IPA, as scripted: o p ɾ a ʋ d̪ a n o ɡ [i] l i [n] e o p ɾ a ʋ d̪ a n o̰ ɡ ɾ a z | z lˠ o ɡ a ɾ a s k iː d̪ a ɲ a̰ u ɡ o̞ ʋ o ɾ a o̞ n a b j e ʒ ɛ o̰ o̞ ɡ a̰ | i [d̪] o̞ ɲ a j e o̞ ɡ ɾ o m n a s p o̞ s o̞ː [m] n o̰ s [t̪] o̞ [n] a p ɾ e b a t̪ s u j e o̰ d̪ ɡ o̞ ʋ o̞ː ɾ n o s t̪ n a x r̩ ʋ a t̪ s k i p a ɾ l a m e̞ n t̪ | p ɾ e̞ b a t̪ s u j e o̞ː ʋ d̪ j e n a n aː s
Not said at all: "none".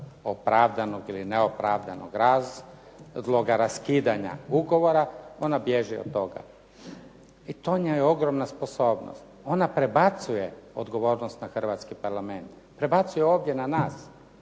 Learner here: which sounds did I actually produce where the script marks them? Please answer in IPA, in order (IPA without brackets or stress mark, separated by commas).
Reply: i, n, t̪, b, t̪, n